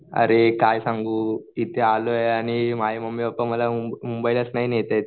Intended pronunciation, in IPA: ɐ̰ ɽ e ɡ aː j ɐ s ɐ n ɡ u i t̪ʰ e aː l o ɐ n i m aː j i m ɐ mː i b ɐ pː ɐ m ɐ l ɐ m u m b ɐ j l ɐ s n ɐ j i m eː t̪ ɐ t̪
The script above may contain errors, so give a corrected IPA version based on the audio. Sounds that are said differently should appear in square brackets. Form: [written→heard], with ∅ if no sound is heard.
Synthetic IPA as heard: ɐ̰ [ɽ→ɾ] e [ɡ→k] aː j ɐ s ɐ [n→ŋ] ɡ u i [t̪ʰ→t̪] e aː l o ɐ n i m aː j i m ɐ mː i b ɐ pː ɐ m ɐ l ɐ m u m b ɐ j l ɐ s n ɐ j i [m→n] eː t̪ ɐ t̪